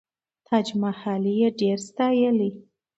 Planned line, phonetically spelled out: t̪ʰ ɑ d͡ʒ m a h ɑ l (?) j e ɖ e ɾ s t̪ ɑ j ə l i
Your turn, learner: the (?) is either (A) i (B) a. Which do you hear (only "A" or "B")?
A